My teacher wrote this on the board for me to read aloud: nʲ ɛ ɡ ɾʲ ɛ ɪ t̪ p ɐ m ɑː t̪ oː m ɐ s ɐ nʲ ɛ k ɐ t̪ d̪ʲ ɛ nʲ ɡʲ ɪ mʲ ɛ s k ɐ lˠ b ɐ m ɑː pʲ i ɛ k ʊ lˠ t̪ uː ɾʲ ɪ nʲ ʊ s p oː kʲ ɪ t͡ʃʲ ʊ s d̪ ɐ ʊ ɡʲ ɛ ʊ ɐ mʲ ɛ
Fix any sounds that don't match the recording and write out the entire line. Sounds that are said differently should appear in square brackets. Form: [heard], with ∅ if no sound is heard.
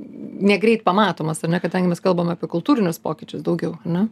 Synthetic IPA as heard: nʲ ɛ ɡ ɾʲ ɛ ɪ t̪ p ɐ m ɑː t̪ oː m ɐ s ɐ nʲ ɛ k ɐ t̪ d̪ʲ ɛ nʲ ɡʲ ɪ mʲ ɛ s k ɐ lˠ b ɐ m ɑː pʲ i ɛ k ʊ lˠ t̪ uː ɾʲ ɪ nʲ ʊ s p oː kʲ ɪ t͡ʃʲ ʊ s d̪ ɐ ʊ ɡʲ ɛ ʊ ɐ [nʲ] ɛ